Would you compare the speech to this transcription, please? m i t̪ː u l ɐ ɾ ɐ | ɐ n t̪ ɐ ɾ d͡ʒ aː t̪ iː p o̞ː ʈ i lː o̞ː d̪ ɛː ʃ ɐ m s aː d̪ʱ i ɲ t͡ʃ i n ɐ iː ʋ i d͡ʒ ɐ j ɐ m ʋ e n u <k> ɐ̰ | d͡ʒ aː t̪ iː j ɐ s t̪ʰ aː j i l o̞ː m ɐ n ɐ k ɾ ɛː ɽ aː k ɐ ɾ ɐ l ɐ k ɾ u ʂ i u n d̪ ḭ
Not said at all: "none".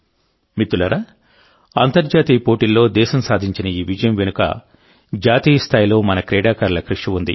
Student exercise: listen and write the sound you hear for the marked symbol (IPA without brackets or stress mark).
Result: k